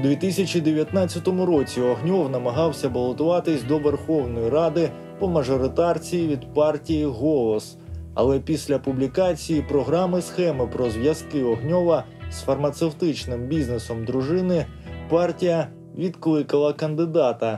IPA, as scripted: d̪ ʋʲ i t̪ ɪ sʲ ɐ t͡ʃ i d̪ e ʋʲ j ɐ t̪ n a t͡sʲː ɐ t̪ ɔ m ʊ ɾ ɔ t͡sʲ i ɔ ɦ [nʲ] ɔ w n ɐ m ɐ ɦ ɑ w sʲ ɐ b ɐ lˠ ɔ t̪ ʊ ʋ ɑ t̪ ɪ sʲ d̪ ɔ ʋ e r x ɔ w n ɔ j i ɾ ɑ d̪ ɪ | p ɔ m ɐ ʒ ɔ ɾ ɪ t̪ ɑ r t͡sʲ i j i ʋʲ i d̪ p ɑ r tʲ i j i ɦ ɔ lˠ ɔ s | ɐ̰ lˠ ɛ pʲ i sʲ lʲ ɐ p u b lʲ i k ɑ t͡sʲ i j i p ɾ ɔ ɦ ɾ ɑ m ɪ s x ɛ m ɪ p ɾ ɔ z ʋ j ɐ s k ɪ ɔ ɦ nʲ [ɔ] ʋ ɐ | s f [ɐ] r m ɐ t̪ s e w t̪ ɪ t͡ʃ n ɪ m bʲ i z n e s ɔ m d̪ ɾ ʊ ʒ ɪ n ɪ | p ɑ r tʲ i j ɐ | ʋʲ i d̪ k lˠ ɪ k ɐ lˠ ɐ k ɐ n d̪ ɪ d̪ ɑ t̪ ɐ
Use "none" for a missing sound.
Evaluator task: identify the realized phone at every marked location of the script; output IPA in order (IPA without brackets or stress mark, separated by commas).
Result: nʲ, ɔ, ɐ